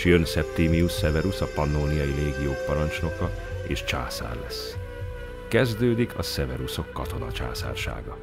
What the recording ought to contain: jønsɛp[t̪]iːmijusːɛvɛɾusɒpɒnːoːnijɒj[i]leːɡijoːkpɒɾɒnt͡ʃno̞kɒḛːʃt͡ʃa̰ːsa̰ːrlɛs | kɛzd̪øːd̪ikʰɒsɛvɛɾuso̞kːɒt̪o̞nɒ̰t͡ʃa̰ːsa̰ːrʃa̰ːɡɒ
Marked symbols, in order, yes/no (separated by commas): yes, yes